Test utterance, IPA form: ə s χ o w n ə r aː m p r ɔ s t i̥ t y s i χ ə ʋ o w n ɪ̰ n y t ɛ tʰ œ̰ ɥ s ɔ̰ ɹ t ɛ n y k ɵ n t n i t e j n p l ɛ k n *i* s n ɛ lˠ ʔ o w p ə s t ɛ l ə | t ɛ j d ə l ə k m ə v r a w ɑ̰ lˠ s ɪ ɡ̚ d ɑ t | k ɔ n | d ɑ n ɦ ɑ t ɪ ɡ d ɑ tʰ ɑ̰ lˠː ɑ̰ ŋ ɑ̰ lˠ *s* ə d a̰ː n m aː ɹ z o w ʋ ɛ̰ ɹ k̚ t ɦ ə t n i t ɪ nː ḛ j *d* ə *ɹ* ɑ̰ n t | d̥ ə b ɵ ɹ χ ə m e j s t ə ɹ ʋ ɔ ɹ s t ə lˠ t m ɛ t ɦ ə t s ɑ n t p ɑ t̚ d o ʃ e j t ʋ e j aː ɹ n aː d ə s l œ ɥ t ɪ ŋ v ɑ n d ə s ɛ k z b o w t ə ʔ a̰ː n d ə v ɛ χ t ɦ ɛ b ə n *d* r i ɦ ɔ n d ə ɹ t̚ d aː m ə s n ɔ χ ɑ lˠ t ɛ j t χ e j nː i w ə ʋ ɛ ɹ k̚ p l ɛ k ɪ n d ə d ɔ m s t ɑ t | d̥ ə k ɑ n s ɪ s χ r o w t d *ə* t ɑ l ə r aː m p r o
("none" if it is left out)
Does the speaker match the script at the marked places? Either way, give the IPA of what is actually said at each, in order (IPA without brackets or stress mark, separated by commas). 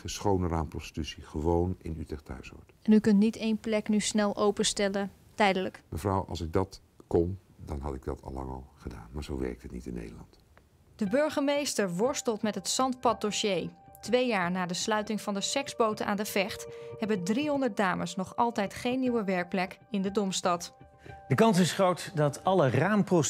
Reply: y, χ, d, l, d, ɑ